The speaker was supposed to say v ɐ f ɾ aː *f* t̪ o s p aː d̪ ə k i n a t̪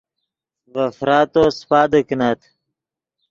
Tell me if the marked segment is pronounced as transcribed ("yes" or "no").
no